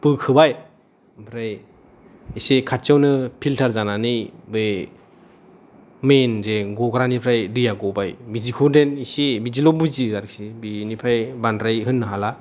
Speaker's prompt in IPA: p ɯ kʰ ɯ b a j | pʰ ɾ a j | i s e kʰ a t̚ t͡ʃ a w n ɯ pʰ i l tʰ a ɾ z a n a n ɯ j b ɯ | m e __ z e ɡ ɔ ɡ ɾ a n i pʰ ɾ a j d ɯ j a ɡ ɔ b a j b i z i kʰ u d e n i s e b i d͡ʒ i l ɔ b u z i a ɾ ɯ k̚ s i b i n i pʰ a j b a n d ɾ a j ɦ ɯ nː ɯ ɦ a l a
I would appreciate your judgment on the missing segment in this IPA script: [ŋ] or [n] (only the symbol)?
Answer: n